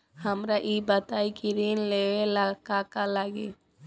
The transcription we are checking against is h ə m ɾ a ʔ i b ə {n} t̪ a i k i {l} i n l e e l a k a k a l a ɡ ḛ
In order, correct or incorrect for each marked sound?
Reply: incorrect: none, incorrect: ɾ

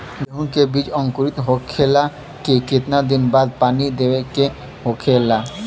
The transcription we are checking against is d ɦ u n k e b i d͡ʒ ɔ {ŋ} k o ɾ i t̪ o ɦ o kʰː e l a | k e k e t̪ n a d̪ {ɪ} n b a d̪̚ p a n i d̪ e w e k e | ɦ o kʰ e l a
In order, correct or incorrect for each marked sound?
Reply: correct, incorrect: i

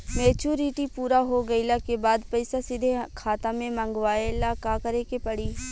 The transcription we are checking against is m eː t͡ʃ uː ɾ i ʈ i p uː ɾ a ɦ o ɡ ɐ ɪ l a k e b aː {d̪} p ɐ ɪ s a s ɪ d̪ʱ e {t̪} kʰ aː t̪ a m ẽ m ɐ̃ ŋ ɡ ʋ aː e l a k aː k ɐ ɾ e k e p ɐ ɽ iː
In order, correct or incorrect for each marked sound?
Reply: correct, incorrect: none

